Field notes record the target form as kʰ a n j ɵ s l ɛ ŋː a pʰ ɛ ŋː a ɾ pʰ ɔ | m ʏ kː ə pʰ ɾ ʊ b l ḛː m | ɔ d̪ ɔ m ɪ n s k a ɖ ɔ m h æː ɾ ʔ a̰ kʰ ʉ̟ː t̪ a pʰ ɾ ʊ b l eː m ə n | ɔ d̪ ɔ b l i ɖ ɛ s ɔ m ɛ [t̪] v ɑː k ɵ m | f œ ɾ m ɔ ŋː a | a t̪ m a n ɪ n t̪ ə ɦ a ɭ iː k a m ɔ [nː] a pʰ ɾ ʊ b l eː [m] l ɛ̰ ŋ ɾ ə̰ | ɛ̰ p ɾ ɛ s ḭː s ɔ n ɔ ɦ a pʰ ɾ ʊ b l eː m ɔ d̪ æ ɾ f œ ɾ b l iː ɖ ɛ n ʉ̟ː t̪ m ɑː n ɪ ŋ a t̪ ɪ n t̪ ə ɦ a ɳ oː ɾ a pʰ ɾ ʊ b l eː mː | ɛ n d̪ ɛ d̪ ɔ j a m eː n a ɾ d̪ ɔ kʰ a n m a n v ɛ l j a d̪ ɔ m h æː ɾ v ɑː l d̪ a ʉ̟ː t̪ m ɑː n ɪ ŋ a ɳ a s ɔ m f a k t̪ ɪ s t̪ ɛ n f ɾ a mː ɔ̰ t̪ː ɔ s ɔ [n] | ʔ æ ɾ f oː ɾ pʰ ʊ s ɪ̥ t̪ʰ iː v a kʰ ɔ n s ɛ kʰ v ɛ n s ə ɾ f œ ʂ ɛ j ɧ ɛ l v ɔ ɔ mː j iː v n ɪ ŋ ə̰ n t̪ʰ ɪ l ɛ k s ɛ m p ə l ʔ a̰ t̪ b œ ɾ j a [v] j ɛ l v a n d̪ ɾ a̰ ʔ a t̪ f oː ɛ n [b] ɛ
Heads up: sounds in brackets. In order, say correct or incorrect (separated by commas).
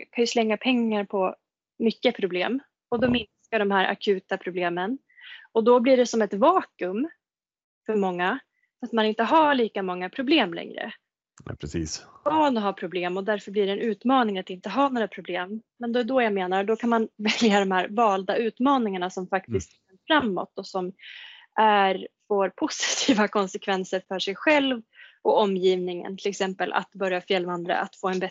correct, incorrect, correct, incorrect, incorrect, correct